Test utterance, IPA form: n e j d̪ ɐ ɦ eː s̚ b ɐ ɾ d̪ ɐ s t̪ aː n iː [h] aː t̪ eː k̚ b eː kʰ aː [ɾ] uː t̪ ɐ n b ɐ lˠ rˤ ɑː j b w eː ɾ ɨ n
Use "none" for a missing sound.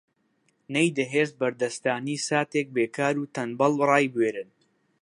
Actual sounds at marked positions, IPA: s, ɾ

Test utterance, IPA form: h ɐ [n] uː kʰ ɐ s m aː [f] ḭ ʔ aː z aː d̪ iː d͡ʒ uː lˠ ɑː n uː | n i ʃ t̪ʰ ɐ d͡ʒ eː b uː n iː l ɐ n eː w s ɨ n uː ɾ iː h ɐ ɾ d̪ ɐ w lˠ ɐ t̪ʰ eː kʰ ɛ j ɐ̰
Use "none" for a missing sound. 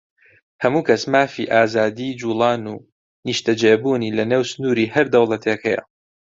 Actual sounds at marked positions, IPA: m, f

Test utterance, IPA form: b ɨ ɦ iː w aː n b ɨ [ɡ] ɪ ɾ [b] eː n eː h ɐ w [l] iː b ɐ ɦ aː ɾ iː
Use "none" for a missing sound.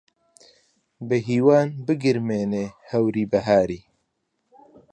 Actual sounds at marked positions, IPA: ɡ, m, ɾ

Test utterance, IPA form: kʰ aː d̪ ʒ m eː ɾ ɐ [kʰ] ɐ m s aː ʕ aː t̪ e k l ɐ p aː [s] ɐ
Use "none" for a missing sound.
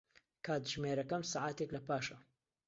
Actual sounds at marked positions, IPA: k, ʃ

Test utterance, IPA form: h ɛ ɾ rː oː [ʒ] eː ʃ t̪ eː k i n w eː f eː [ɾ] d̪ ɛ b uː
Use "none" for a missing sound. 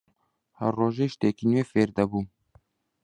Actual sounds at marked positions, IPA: ʒ, ɾ

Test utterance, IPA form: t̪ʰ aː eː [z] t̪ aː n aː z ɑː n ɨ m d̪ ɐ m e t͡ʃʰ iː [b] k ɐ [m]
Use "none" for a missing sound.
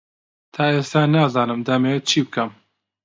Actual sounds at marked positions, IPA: s, b, m

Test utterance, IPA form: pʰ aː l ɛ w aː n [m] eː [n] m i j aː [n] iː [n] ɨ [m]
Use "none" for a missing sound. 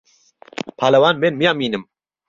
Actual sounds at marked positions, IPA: m, n, m, n, m

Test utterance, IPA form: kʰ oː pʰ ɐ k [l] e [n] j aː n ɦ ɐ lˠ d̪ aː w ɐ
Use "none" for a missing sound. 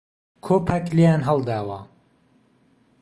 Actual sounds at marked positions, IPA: l, none

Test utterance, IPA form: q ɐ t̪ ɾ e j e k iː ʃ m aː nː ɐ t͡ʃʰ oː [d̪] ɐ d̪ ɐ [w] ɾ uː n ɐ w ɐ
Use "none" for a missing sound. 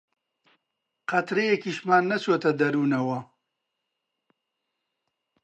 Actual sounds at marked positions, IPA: t̪, none

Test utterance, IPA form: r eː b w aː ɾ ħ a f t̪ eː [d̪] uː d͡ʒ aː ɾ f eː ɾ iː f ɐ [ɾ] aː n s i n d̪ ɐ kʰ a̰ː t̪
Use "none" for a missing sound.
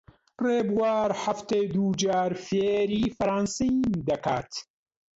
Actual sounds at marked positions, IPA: d̪, ɾ

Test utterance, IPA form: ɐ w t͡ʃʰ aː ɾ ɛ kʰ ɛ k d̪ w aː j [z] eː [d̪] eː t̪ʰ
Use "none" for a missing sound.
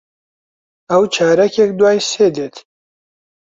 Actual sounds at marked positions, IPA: s, d̪

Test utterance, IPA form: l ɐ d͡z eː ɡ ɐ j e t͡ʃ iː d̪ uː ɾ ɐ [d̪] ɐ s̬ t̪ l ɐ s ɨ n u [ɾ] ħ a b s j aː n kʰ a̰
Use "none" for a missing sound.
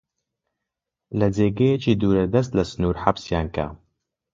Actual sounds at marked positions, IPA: d̪, ɾ

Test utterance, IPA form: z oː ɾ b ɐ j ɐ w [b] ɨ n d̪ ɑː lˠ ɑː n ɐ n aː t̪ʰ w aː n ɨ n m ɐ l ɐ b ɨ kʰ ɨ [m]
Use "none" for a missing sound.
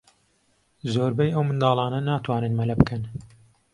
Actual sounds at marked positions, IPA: m, n

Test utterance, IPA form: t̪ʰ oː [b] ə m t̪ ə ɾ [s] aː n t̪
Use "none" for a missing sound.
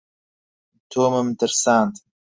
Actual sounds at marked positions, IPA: m, s

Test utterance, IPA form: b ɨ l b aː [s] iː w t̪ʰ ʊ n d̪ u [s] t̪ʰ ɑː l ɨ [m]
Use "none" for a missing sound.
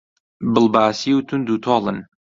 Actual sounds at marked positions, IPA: s, none, n

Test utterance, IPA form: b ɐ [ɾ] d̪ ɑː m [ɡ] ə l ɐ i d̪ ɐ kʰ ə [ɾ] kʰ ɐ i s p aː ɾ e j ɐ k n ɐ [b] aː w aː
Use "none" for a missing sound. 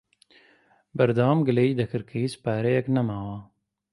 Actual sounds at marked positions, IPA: ɾ, ɡ, ɾ, m

